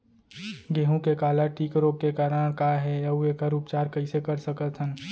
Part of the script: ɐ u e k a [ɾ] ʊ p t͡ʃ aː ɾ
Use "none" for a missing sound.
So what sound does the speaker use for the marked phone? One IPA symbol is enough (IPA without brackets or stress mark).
ɾ